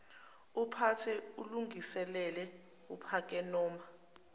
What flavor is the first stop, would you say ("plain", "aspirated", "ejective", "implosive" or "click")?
aspirated